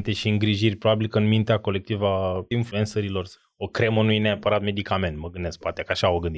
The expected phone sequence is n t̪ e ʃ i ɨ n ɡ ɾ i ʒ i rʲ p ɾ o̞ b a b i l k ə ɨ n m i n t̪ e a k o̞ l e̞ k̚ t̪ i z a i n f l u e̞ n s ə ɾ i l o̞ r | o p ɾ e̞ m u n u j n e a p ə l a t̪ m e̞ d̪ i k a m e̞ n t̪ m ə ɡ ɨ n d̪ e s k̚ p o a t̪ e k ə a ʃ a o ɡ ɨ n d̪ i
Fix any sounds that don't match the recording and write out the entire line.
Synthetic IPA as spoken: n t̪ e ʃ i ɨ ŋ ɡ ɾ i ʒ i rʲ p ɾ o̞ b a b i l k ə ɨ n m i n t̪ e a k o̞ l e̞ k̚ t̪ i v a i n f l u e̞ n s ə ɾ i l o̞ r | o k ɾ e̞ m u n u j n e a p ə ɾ a t̪ m e̞ d̪ i k a m e̞ n t̪ m ə ɡ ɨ n d̪ e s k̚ p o a t̪ e k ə a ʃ a o ɡ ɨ n d̪ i